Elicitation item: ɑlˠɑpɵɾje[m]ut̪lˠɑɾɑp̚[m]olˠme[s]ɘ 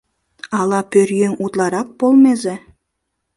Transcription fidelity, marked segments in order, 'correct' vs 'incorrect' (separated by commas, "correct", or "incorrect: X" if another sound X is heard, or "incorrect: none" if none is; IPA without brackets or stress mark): incorrect: ŋ, incorrect: b, incorrect: z